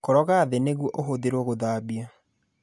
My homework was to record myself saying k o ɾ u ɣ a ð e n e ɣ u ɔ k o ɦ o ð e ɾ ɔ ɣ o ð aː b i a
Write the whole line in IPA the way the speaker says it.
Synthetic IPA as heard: k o ɾ ɔ ɣ a ð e n e ɣ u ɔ ʔ o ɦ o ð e ɾ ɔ ɣ o ð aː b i a